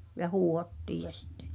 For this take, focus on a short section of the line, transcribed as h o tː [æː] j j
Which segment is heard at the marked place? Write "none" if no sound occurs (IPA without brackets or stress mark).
iː